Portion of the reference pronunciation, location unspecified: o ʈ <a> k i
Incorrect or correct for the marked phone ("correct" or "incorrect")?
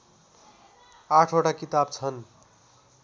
correct